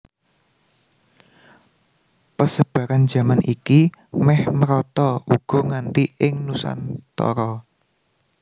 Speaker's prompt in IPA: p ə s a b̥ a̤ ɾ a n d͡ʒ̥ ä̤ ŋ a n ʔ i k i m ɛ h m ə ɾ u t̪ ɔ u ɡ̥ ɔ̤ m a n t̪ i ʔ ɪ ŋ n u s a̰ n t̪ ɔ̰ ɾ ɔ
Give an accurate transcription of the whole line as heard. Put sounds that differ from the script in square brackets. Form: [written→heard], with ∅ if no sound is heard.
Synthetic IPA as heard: p ə s [a→ə] b̥ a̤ ɾ a n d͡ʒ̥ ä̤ [ŋ→m] a n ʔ i k i m ɛ h m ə ɾ [u→ɔ] t̪ ɔ u ɡ̥ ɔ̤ [m→ŋ] a n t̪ i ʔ ɪ ŋ n u s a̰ n t̪ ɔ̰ ɾ ɔ